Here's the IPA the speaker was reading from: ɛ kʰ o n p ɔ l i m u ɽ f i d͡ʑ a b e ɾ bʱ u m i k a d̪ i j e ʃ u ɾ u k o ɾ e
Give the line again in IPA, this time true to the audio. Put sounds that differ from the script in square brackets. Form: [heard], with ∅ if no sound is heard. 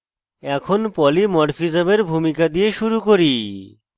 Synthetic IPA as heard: ɛ kʰ o n p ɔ l i m [ɔ] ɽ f i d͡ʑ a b e ɾ bʱ u m i k a d̪ i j e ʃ u ɾ u k o ɾ [i]